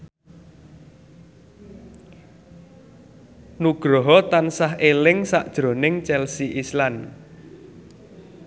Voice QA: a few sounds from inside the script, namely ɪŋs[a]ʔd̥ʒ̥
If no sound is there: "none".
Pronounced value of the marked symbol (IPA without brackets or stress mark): a